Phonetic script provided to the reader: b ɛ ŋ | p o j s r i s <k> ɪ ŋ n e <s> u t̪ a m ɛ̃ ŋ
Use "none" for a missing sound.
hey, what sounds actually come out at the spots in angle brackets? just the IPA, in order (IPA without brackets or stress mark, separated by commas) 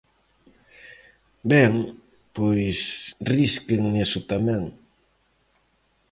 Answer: k, s